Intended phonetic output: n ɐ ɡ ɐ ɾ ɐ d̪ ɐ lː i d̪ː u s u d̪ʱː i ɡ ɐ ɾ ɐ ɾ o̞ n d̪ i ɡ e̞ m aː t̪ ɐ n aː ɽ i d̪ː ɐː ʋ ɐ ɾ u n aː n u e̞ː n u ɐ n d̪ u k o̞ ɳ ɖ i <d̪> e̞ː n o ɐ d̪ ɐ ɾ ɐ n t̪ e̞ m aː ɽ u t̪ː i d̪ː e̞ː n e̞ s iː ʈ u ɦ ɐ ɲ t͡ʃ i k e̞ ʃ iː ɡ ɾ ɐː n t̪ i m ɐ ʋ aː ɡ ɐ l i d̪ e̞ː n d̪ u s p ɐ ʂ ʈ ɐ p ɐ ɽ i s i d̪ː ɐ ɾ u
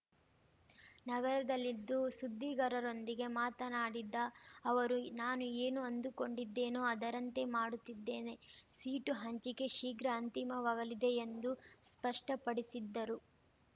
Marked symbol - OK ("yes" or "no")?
no